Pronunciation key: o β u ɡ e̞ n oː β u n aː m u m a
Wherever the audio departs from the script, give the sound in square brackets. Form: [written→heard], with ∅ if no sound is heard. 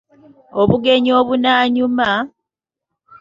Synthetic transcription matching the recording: o β u ɡ e̞ [n→ɲ] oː β u n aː [m→ɲ] u m a